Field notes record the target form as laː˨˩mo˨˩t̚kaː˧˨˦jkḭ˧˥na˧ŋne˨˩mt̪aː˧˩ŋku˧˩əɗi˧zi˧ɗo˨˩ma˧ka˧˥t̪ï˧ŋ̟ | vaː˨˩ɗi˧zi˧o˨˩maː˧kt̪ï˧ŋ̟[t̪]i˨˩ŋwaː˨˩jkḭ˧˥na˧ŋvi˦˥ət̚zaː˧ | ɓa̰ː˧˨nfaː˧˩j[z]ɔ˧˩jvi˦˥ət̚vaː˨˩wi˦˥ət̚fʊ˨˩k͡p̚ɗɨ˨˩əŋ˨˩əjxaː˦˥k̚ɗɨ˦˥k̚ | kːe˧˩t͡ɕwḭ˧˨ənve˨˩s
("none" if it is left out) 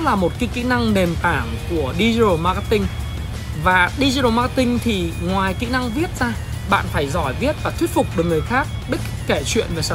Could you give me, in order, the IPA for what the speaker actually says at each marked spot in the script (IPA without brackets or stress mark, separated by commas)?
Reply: t̪ʰ, z